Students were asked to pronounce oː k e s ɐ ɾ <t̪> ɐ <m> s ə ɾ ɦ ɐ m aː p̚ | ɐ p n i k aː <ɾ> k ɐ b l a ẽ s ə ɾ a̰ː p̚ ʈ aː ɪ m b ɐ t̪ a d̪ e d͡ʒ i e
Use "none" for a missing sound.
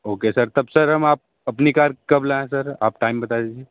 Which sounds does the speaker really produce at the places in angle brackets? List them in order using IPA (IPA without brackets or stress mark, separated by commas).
t̪, b, ɾ